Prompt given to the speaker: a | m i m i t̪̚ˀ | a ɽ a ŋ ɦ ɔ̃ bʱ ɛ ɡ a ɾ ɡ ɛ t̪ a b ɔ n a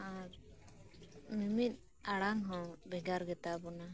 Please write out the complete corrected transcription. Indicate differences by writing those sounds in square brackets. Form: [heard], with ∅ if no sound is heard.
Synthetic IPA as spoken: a | m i m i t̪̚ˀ | a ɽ a ŋ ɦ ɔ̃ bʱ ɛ ɡ a ɾ ɡ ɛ t̪ a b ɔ n a